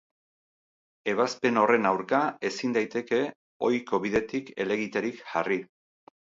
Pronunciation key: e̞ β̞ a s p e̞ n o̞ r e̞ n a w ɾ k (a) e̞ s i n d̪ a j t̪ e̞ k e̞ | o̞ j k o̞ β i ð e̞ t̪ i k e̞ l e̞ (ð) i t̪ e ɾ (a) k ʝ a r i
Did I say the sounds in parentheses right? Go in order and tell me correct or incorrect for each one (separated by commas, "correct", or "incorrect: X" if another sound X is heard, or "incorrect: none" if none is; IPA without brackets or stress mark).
correct, incorrect: ɣ, incorrect: i